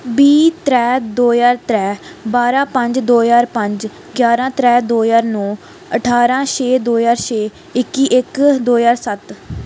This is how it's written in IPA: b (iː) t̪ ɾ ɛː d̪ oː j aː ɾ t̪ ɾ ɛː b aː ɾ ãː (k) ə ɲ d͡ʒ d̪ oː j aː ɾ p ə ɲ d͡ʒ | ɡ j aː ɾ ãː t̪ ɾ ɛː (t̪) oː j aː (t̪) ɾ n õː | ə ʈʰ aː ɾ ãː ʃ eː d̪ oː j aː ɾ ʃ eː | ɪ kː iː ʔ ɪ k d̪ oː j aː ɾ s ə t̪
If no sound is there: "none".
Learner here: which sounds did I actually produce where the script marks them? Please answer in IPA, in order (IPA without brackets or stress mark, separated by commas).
iː, p, d̪, none